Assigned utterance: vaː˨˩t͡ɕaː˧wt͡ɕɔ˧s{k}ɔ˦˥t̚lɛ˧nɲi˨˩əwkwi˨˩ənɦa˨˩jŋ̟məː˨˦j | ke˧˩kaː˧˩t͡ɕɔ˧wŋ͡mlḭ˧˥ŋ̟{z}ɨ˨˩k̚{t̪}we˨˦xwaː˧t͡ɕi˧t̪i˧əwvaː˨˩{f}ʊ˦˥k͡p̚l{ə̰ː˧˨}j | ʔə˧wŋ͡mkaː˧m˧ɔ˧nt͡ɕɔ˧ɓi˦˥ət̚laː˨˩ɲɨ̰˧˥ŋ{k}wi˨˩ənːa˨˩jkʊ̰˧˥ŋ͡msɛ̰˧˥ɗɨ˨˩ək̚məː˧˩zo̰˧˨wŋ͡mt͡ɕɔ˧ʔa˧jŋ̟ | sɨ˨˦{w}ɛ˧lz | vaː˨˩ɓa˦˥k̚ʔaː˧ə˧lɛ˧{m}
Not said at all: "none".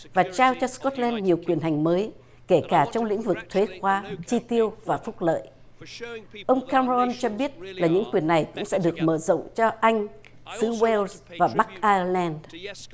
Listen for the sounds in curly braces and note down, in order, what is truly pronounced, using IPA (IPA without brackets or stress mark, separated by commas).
k, v, t̪ʰ, f, ə̰ː˧˨, k, w, n